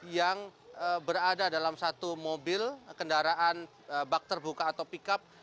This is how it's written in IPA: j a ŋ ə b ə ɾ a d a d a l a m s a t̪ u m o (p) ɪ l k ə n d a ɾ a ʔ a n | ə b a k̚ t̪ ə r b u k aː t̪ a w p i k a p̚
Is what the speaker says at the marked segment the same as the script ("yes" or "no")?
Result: no